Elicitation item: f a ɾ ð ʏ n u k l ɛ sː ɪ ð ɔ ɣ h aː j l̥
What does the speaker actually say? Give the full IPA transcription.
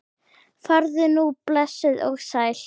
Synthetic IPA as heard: f a ɾ ð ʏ n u p l ɛ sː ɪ ð ɔ ɣ s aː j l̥

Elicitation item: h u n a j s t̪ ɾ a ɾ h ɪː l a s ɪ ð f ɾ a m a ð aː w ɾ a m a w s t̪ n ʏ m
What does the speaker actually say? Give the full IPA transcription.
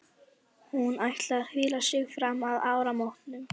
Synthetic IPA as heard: h u n a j h t̪ l a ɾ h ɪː l a s ɪ ɣ f ɾ a m a ð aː w ɾ a m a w h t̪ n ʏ m

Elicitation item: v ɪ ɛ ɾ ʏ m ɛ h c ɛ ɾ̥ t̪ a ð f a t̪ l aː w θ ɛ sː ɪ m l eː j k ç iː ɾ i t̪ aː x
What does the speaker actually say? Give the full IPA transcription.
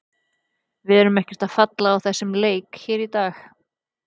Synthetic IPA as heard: v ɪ ɛ ɾ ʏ m ɛ h c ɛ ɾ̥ t̪ a ð f a t̪ l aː w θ ɛ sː ɪ m l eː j k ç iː ɾ i t̪ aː x

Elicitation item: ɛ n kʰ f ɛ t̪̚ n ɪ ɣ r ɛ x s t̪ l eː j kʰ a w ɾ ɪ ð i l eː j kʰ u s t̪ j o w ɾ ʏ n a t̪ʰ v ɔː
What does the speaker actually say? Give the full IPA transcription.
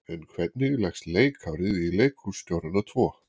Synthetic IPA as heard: ɛ n kʰ v ɛ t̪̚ n ɪ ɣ l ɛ x s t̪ l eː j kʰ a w ɾ ɪ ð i l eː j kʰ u s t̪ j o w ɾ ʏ n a t̪ʰ v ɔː

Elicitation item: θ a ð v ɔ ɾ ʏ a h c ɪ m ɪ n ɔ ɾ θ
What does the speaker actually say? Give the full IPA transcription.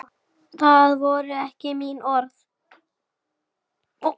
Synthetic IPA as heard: θ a ð v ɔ ɾ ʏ ɛ h c ɪ m i n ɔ ɾ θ

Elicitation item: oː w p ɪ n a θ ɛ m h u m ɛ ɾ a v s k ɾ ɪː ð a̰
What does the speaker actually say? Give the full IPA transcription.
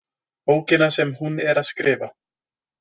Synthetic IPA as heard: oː w c ɪ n a s ɛ m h u n ɛ ɾ a ð s k ɾ ɪː v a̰

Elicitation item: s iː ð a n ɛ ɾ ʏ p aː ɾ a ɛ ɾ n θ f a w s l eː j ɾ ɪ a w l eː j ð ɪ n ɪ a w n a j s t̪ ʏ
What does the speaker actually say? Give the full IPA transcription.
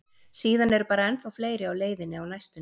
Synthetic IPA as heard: s iː ð a n ɛ ɾ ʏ p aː ɾ a ɛ n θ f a w f l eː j ɾ ɪ a w l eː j ð ɪ n ɪ a w n a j s t̪ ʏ

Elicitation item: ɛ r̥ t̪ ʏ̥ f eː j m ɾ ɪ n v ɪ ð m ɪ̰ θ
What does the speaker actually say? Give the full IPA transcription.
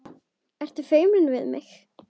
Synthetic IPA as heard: ɛ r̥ t̪ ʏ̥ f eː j m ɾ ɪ n v ɪ ð m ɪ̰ x

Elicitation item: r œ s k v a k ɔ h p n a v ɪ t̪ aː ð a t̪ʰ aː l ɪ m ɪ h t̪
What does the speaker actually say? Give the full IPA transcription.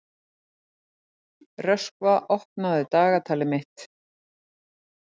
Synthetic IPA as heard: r œ s k v a ʔ ɔ h p n a ð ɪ t̪ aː ɣ a t̪ʰ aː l ɪ m ɪ h t̪

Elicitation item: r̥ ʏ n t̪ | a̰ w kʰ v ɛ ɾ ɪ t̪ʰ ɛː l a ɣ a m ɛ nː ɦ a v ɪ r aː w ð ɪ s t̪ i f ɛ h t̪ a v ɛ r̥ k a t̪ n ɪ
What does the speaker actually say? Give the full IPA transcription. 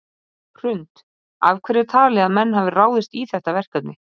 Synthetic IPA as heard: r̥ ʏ n t̪ | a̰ v kʰ v ɛ ɾ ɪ t̪ʰ aː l ɛ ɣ a m ɛ nː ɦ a v ɪ r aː w ð ɪ s t̪ i θ ɛ h t̪ a v ɛ r̥ k a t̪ n ɪ

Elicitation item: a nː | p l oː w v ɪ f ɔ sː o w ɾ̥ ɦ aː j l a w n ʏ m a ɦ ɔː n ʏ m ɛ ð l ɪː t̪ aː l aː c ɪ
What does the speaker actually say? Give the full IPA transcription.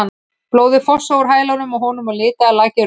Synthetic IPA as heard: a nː | p l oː w ð ɪ f ɔ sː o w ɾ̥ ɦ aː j l a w n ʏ m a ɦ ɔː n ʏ m a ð l ɪː t̪ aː l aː c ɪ

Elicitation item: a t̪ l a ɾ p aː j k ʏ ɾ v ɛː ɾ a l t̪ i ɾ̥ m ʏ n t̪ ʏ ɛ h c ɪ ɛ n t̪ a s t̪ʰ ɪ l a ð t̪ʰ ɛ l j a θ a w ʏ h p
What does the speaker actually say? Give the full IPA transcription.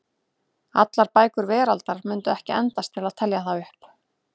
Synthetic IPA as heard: a t̪ l a ɾ p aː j k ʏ ɾ v ɛː ɾ a l t̪ a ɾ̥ m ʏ n t̪ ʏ ɛ h c ɪ ɛ n t̪ a s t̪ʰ ɪ l a ð t̪ʰ ɛ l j a θ a w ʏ h p

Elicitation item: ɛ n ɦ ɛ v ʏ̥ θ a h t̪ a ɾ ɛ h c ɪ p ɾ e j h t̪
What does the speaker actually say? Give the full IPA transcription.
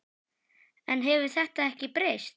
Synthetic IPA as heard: ɛ n ɦ ɛ v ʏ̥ θ ɛ h t̪ a ɛ h c ɪ p ɾ e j s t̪

